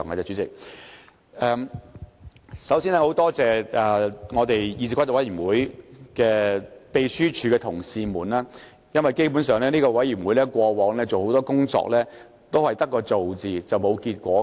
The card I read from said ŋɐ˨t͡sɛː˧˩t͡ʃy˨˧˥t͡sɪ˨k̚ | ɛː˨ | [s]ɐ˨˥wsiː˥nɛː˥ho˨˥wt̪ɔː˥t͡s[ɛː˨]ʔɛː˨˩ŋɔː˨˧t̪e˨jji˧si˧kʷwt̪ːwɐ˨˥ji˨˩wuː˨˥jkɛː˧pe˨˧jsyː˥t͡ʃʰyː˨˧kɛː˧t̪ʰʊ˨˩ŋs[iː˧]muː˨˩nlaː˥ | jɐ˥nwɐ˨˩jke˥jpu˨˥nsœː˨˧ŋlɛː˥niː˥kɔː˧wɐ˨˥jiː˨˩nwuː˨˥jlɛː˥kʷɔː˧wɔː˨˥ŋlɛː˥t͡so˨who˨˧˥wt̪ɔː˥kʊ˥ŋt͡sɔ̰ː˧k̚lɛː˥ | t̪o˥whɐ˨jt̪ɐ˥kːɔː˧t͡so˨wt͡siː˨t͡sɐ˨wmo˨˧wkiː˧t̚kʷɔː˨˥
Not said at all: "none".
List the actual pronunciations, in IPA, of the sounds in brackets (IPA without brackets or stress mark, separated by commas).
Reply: s, ɛː˨, iː˧